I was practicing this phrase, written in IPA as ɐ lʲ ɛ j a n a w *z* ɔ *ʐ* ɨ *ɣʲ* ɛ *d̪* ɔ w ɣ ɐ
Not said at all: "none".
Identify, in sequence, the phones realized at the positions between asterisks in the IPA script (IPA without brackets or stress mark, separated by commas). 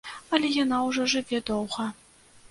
ʐ, ʐ, vʲ, d̪